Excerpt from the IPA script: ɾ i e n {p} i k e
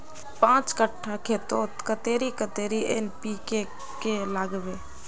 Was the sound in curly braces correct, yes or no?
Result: yes